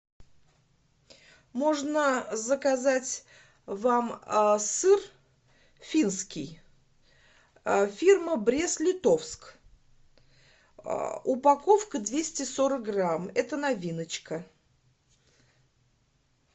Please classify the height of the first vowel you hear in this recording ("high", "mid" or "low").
mid